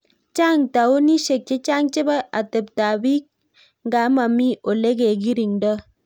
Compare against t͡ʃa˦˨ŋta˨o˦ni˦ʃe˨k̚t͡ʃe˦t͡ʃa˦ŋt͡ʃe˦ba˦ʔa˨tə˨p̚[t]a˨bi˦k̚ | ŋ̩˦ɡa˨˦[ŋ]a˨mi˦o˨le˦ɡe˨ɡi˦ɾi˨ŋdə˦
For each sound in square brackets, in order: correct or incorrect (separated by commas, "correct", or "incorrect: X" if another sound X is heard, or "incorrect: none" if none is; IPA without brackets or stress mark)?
correct, incorrect: m